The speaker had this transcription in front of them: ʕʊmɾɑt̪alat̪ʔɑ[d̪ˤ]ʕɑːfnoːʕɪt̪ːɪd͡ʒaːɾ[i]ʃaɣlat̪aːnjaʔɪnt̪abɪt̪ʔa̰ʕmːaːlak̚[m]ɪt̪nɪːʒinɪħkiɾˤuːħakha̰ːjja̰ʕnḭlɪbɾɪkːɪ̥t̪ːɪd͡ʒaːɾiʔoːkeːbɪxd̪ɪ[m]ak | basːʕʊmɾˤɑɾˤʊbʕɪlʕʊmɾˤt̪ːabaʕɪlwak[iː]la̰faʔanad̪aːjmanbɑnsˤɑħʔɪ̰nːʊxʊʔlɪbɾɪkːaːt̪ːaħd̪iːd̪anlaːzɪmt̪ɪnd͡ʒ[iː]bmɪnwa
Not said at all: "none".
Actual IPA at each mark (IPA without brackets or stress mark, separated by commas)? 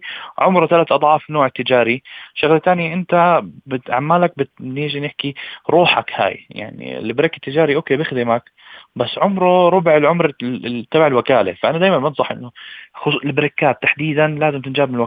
d̪ˤ, i, b, m, aː, aː